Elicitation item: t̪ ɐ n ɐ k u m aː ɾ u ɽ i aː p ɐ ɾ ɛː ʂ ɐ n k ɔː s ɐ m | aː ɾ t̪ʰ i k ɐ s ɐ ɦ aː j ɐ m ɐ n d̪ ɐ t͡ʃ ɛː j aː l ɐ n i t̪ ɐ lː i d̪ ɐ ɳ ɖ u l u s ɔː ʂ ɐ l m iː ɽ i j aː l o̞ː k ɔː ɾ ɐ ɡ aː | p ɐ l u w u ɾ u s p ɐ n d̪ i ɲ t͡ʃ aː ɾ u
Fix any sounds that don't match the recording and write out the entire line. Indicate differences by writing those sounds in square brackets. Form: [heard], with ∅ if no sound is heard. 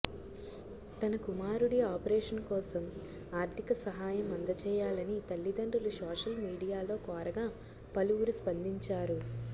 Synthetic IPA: t̪ ɐ n ɐ k u m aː ɾ u ɽ i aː p ɐ ɾ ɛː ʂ ɐ n k ɔː s ɐ m | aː ɾ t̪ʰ i k ɐ s ɐ ɦ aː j ɐ m ɐ n d̪ ɐ t͡ʃ ɛː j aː l ɐ n i t̪ ɐ lː i d̪ ɐ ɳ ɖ u l u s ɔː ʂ ɐ l m iː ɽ i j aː l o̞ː k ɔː ɾ ɐ ɡ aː | p ɐ l u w u ɾ u s p ɐ n d̪ i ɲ t͡ʃ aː ɾ u